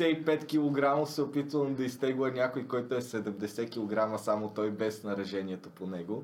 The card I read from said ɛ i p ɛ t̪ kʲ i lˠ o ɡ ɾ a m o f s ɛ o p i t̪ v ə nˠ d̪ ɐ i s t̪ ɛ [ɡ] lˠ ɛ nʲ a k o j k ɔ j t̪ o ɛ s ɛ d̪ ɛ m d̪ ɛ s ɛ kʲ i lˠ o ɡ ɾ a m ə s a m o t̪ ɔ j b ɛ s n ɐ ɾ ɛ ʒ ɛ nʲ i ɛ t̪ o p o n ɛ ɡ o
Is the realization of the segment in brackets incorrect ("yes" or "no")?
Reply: no